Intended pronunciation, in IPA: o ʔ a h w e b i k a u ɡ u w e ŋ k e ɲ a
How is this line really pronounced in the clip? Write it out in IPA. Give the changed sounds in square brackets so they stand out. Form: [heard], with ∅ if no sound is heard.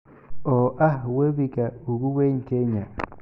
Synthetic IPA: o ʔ a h w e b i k a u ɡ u w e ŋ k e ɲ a